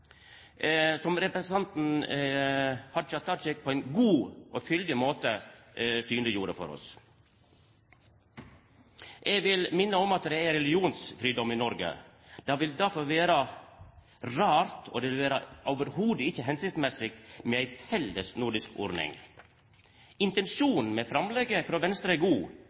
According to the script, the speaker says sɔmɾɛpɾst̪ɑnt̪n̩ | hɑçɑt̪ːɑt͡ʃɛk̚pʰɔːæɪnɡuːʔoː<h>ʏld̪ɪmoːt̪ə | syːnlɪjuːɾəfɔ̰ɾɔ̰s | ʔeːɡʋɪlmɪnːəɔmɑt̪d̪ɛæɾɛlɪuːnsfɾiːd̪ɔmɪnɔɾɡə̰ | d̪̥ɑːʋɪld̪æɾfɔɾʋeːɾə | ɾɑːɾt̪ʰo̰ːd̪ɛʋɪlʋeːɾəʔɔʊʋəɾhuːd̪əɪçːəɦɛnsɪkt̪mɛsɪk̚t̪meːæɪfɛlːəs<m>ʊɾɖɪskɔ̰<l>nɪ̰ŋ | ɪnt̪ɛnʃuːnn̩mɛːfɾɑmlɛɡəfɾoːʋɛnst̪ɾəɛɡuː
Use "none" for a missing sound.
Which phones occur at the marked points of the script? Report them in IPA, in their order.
f, n, ɾ

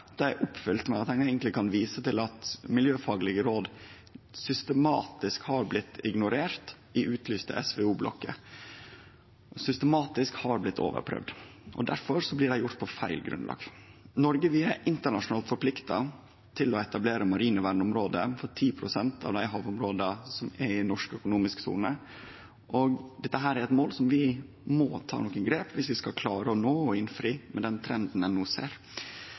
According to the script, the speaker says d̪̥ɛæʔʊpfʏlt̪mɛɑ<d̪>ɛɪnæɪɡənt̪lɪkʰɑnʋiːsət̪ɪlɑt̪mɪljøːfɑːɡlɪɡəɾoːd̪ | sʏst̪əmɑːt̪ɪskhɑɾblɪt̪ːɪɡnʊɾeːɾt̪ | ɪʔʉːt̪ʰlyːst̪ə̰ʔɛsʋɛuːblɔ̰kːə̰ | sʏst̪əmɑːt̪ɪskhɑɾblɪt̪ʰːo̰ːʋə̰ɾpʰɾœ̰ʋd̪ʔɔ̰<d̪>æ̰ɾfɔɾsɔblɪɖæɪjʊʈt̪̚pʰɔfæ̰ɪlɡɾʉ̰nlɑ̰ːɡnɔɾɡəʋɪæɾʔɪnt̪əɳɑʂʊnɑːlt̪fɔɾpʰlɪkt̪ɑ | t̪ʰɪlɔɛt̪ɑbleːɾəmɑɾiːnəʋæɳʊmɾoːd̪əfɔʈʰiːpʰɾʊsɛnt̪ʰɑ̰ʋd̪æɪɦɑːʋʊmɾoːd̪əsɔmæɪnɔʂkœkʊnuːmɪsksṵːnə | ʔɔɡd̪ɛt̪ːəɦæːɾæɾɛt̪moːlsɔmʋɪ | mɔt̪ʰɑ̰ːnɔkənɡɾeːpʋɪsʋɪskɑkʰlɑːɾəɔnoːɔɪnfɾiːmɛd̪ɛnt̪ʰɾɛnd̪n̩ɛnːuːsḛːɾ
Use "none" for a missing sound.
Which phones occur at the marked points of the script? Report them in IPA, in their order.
t̪, d̪

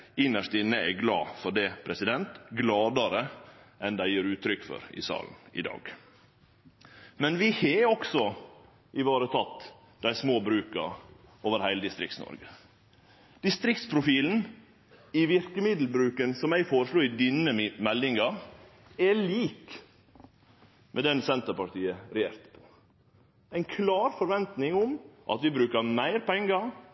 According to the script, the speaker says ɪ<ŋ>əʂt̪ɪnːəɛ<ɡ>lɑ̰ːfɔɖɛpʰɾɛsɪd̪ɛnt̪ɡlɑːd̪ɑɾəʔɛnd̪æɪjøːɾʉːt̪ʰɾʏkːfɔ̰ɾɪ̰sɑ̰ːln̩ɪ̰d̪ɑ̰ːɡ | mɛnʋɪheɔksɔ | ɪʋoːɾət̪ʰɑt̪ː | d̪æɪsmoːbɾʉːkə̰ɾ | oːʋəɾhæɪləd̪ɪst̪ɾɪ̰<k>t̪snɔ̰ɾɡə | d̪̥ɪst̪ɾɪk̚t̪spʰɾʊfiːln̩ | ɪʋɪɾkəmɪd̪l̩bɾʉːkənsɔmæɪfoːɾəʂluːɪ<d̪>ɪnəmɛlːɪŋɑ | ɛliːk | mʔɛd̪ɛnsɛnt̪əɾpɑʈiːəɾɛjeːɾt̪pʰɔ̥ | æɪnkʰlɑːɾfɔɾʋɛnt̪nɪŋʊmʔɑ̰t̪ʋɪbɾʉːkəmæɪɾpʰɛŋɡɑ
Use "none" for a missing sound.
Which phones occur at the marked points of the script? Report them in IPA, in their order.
n, ɡ, k, d̪

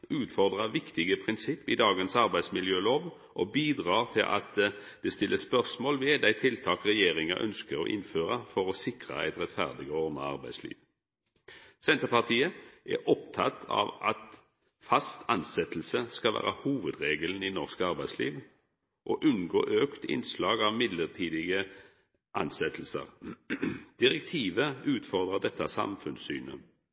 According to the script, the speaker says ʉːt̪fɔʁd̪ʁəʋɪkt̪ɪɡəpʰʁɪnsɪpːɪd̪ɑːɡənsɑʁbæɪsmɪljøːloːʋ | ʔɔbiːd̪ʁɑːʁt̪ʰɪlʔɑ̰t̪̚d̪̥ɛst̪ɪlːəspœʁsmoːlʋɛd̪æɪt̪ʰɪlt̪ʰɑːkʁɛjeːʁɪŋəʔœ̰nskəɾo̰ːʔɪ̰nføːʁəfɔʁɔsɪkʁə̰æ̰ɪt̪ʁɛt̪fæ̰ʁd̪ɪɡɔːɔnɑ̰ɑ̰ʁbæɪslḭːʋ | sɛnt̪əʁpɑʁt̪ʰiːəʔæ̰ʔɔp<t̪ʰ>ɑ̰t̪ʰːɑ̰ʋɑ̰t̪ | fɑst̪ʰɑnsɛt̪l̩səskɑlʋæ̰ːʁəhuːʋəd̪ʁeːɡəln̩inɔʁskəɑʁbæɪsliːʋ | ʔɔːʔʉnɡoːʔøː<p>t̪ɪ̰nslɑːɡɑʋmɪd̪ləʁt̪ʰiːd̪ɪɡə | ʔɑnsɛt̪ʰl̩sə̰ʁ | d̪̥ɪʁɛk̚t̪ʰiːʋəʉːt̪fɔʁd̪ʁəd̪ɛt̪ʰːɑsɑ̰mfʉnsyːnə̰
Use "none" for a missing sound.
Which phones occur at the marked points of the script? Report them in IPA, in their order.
t̪ʰ, k

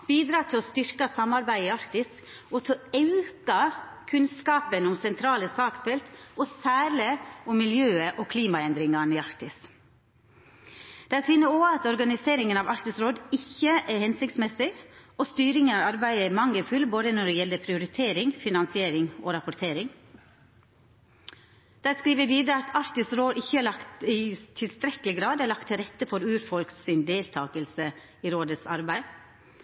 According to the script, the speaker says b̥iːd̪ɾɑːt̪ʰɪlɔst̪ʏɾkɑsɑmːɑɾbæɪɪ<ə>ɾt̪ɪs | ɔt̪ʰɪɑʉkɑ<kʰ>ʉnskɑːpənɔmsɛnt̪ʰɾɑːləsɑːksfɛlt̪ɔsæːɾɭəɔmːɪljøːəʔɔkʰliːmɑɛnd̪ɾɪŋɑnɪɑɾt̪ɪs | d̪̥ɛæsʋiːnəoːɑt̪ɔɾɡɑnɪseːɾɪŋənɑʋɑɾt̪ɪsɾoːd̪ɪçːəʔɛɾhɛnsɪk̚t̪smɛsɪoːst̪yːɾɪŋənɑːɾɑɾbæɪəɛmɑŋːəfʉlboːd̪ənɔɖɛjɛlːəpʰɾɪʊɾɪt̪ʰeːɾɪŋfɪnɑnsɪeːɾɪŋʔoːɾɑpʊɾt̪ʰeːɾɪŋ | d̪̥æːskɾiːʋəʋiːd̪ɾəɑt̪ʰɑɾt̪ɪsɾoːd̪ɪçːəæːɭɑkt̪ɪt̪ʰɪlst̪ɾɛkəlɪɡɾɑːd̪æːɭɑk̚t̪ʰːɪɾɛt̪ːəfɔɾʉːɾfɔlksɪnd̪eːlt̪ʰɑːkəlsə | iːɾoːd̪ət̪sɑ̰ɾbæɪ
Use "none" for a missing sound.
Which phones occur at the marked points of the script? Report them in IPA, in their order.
ɑ, kʰ

